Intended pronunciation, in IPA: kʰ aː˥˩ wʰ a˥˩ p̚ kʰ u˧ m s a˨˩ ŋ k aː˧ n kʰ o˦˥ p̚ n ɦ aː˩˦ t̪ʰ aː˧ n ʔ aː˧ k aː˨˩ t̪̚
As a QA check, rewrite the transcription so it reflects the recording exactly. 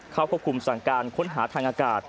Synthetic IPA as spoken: kʰ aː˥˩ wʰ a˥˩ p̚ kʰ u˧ m s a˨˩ ŋ k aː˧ n kʰ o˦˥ n ɦ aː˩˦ t̪ʰ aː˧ ŋ ʔ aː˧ k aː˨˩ t̪̚

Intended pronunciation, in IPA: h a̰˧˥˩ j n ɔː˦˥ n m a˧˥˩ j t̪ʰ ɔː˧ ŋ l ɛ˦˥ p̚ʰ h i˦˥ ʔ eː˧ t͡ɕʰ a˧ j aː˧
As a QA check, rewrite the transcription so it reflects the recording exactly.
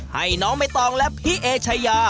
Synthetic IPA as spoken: h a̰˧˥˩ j n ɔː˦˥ ŋ m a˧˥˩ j t̪ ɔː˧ ŋ l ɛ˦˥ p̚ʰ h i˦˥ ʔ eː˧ t͡ɕʰ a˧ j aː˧

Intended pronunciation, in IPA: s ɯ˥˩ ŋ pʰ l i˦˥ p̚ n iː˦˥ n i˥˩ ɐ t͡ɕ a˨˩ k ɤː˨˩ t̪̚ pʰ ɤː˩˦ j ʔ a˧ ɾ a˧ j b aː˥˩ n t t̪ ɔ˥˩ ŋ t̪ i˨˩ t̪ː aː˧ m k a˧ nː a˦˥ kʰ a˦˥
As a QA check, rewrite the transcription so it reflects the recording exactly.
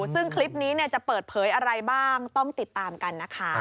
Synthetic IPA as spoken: s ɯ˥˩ ŋ kʰ l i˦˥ p̚ n iː˦˥ n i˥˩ ɐ t͡ɕ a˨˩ p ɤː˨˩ t̪̚ pʰ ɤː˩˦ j ʔ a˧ ɾ a˧ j b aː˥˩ ŋ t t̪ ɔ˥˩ ŋ t̪ i˨˩ t̪ː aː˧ m k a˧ nː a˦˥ kʰ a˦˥

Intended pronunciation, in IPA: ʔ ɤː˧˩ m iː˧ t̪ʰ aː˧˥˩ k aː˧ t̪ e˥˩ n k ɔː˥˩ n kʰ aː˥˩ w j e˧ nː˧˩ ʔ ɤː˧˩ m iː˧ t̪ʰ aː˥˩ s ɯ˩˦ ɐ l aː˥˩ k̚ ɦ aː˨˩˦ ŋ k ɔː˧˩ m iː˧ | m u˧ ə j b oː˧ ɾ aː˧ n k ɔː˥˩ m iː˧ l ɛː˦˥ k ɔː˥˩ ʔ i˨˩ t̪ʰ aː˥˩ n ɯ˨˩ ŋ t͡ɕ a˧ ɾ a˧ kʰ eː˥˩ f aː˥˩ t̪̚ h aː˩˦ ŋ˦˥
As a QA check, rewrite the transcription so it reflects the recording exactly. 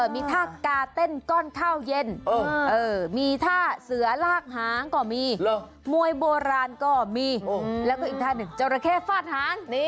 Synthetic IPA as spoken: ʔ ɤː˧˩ m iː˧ t̪ʰ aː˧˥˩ k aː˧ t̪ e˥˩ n k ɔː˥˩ n kʰ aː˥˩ w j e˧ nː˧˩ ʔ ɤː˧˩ m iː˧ t̪ʰ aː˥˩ s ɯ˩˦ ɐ l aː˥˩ k̚ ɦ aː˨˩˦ ŋ k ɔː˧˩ m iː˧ | m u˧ ə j b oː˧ ɾ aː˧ n k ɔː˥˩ m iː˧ l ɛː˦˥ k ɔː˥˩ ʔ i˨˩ t̪ʰ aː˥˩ n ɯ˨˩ ŋ t͡ɕ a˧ ɾ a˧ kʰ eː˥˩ f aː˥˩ t̪̚ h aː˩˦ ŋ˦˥

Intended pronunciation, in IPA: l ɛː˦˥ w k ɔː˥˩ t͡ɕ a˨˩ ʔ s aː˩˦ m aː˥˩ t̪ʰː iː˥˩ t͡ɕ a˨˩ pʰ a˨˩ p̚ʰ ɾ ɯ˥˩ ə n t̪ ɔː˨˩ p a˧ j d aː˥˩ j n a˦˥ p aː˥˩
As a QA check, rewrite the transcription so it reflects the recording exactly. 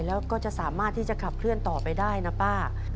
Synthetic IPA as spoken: l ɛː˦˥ w k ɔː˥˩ t͡ɕ a˨˩ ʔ s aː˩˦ m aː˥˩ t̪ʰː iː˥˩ t͡ɕ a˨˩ kʰ a˨˩ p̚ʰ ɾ ɯ˥˩ ə n t̪ ɔː˨˩ p a˧ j d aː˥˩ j n a˦˥ p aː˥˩

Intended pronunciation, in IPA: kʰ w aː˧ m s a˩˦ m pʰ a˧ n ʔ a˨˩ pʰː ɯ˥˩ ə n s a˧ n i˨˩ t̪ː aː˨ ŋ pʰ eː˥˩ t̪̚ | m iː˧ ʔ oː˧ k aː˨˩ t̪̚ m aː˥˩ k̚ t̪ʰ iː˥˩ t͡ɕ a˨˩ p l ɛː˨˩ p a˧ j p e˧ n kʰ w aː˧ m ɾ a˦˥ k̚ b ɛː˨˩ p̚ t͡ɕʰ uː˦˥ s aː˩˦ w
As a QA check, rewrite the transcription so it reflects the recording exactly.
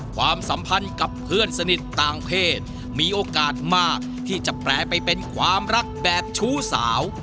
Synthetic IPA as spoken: kʰ w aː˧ m s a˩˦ m pʰ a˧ n k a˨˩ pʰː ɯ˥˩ ə n s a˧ n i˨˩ t̪ː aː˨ ŋ pʰ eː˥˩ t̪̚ | m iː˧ ʔ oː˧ k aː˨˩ t̪̚ m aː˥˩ k̚ t̪ʰ iː˥˩ t͡ɕ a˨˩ p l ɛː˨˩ p a˧ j p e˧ n kʰ w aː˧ m ɾ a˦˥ k̚ b ɛː˨˩ p̚ t͡ɕʰ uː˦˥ s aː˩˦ w

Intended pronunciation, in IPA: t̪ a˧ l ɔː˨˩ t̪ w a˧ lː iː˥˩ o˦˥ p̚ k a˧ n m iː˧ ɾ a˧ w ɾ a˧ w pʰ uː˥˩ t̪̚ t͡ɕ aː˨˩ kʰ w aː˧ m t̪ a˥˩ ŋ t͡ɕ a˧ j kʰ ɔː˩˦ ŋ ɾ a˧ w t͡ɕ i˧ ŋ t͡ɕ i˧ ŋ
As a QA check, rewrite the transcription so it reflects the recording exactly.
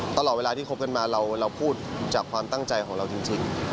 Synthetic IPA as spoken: t̪ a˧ l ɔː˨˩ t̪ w e˧ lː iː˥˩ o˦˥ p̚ k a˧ n m aː˧ ɾ a˧ w ɾ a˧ w pʰ uː˥˩ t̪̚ t͡ɕ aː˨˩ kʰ w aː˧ m t̪ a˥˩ ŋ t͡ɕ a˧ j kʰ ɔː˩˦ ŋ ɾ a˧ w t͡ɕ i˧ ŋ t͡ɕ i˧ ŋ

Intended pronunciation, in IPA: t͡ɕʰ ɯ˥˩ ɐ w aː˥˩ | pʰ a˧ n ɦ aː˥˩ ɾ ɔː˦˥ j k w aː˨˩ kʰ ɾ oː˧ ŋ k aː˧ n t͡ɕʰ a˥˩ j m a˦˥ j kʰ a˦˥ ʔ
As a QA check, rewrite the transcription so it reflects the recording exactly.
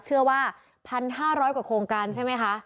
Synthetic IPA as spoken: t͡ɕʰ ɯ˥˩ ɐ w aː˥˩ | pʰ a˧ n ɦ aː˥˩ ɾ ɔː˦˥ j k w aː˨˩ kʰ ɾ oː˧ ŋ k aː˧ n t͡ɕʰ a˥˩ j m a˦˥ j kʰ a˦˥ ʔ

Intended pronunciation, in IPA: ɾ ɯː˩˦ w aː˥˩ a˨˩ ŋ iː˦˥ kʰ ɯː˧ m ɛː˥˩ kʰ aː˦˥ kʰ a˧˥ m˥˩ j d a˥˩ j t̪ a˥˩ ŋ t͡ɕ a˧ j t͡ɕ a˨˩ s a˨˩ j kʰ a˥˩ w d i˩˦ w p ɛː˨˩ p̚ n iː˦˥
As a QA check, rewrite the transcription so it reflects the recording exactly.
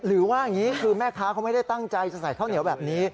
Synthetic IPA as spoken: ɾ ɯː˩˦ w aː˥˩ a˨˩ ŋ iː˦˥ kʰ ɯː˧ m ɛː˥˩ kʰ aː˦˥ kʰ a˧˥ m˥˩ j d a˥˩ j t̪ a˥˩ ŋ t͡ɕ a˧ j t͡ɕ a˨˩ s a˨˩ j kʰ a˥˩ w n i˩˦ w b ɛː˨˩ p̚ n iː˦˥

